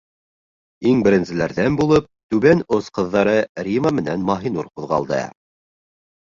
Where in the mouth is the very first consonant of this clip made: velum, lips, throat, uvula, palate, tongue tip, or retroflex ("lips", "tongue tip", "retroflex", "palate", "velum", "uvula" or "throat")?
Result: velum